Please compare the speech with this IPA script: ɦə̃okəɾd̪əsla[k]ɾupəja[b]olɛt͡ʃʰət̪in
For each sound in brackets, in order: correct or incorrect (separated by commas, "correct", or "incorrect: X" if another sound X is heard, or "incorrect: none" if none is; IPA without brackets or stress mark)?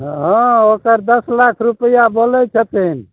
incorrect: kʰ, correct